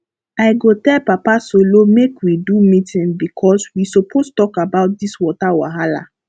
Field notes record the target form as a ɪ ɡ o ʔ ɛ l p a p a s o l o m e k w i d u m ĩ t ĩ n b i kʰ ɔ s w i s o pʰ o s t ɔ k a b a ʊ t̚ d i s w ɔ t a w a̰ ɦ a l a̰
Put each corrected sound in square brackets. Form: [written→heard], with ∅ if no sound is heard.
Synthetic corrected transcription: a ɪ ɡ o [ʔ→t] ɛ l p a p a s o l o m e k w i d u m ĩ t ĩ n b i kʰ ɔ s w i s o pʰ o s t ɔ k a b a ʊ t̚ d i s w ɔ t a w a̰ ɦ a l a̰